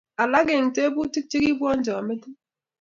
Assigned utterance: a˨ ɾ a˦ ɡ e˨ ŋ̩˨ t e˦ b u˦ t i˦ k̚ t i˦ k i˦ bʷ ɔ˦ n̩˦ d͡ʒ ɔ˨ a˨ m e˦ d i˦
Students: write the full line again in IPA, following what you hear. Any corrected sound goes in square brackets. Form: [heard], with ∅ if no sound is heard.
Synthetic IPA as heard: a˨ [l] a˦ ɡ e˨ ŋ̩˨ t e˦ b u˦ t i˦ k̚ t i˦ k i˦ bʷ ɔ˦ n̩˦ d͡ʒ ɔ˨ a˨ m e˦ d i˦